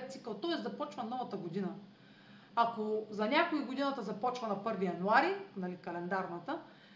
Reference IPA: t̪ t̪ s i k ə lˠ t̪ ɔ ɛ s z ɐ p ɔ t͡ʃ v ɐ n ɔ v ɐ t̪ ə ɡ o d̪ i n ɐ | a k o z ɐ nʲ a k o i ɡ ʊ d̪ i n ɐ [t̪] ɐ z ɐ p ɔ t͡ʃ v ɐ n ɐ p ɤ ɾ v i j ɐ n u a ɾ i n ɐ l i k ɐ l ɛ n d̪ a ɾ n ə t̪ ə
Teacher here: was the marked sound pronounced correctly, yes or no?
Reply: yes